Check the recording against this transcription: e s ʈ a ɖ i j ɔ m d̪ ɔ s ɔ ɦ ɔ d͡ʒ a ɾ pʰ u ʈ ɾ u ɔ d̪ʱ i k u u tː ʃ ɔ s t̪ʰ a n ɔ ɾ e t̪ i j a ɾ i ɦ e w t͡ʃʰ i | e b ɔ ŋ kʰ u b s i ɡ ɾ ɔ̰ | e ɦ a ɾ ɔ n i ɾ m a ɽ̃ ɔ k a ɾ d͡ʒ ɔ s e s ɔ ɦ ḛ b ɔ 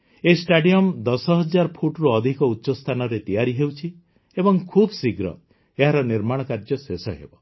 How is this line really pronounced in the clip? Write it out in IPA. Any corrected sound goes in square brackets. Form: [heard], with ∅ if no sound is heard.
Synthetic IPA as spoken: e s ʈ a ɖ i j ɔ m d̪ ɔ s ɔ ɦ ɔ d͡ʒ a ɾ pʰ u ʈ ɾ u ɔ d̪ʱ i k [ɔ] u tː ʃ ɔ s t̪ʰ a n ɔ ɾ e t̪ i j a ɾ i ɦ e w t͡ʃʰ i | e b ɔ ŋ kʰ u b s i ɡ ɾ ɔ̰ | e ɦ a ɾ ɔ n i ɾ m a ɽ̃ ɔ k a ɾ d͡ʒ ɔ s e s ɔ ɦ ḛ b ɔ